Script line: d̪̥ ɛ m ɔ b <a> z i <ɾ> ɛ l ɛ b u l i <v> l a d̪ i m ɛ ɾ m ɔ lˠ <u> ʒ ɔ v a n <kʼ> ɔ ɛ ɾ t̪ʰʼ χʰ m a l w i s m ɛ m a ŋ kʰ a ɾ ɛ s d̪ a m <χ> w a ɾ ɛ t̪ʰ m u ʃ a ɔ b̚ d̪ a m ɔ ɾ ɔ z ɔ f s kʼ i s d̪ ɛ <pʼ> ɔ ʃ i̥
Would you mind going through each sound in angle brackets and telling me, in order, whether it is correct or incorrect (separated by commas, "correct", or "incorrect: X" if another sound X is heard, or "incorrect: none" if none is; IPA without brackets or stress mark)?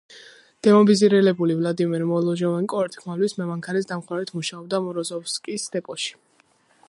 incorrect: i, correct, correct, incorrect: ɔ, correct, correct, correct